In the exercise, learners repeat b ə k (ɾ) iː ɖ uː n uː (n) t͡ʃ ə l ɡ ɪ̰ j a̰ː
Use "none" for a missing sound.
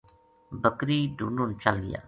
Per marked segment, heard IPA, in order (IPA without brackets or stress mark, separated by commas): ɾ, n